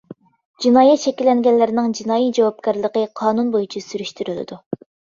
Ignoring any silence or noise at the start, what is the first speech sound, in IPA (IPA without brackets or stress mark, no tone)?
d͡ʒ